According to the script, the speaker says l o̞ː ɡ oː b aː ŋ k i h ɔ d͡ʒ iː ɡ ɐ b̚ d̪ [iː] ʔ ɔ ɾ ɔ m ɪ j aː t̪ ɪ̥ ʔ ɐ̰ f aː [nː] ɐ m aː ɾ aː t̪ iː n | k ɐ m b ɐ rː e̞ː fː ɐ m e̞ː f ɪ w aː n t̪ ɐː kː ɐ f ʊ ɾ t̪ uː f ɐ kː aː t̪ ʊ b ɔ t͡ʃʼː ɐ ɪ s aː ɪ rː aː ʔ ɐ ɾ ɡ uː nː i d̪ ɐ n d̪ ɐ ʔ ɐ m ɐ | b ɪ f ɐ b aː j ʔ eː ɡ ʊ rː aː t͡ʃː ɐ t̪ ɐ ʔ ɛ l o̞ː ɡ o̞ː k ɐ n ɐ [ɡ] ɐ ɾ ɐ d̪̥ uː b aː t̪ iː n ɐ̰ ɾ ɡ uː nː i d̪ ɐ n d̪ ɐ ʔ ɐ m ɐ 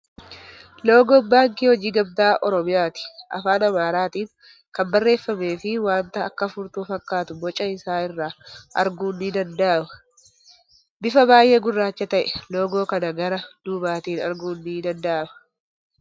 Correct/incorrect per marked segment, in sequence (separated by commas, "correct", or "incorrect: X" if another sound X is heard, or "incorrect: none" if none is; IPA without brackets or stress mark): incorrect: aː, incorrect: n, correct